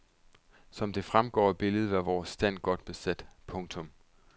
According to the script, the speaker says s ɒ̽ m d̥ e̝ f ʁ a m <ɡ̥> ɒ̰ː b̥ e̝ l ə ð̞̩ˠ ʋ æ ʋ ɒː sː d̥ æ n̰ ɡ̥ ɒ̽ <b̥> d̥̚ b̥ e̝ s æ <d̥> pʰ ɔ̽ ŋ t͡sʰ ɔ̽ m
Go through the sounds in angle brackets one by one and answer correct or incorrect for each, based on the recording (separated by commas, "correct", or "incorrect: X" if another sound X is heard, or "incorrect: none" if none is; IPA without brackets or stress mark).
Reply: correct, incorrect: none, correct